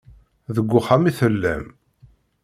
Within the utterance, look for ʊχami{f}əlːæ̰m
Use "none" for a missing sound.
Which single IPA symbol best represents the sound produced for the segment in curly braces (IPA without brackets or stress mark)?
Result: θ